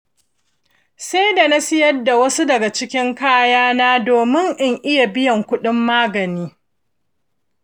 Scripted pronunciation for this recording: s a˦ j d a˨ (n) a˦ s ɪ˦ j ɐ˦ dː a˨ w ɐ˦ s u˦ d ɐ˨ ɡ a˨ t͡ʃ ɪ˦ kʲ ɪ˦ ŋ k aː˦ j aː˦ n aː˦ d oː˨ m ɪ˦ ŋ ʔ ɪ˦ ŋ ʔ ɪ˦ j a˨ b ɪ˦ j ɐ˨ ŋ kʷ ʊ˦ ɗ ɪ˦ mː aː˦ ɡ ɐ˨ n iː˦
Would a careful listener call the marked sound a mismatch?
no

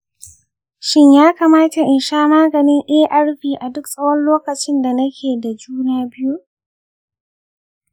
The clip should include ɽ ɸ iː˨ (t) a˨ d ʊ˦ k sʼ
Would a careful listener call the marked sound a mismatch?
yes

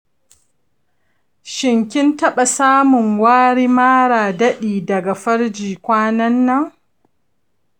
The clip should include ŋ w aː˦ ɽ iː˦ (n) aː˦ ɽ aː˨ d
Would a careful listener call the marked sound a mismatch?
yes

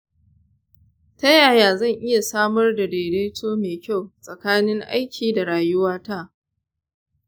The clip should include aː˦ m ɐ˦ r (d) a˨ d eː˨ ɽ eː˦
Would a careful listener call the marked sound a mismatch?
no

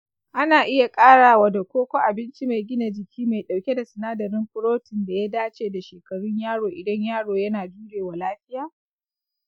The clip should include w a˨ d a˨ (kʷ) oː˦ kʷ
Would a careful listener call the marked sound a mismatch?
no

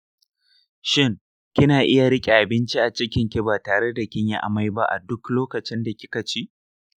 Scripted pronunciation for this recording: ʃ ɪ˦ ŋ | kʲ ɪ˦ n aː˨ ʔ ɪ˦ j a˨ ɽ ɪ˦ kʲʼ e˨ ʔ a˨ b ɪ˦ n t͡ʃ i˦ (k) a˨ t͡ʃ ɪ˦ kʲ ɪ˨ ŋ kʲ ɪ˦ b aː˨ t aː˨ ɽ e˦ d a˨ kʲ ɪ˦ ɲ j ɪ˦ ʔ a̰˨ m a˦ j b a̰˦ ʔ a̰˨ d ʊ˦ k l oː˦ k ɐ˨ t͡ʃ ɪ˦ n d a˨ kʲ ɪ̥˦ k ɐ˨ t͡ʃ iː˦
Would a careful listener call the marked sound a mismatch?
yes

